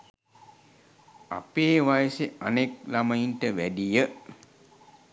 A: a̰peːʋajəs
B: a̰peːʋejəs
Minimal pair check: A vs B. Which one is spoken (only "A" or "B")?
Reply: A